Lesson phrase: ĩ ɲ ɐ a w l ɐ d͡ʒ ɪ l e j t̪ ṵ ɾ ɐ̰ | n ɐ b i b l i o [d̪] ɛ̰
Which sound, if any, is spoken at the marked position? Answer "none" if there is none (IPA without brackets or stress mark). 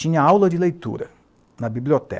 t̪